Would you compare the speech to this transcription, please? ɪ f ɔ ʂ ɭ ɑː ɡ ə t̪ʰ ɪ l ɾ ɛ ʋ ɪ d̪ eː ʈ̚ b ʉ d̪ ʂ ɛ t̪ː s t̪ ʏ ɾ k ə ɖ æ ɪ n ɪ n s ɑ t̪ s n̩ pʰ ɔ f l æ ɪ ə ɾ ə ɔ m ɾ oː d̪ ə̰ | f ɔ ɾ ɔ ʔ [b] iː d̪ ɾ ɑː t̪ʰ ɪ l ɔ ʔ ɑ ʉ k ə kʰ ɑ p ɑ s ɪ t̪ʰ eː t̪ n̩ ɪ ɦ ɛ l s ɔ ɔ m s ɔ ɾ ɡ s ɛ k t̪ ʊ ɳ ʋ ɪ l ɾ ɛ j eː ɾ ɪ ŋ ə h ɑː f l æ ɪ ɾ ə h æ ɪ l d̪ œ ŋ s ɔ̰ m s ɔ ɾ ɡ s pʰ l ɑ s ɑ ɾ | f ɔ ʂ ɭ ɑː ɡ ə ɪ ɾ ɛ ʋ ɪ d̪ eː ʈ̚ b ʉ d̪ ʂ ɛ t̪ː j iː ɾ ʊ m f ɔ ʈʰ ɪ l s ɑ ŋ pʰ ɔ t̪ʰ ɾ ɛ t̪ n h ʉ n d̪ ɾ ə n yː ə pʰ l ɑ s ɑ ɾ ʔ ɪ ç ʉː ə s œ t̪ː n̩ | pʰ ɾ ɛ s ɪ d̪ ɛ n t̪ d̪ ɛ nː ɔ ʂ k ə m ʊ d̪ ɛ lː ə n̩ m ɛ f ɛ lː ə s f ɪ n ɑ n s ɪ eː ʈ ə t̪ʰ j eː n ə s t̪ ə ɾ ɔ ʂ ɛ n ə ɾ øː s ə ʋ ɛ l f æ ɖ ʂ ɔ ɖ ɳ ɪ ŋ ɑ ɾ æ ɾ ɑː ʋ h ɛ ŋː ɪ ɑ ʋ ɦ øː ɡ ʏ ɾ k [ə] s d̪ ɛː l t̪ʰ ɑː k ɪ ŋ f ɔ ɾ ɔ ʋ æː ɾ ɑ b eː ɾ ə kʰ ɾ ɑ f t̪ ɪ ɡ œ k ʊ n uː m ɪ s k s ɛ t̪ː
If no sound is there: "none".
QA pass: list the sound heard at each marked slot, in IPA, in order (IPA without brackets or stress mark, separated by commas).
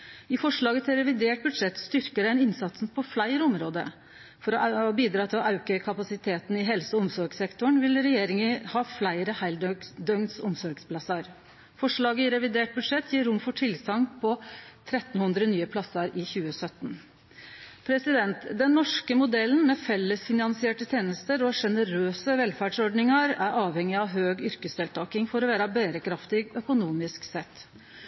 b, ə